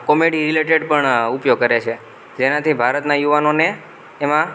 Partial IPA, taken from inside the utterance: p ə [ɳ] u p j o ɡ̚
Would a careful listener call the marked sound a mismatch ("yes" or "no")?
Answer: no